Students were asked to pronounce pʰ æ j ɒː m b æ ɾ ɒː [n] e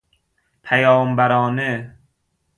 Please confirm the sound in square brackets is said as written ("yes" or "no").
yes